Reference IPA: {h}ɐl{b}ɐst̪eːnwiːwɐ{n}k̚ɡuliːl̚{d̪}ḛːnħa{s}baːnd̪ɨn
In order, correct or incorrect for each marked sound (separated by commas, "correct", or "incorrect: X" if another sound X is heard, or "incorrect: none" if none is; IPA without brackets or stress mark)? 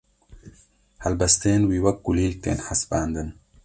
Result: correct, correct, incorrect: none, incorrect: t̪, correct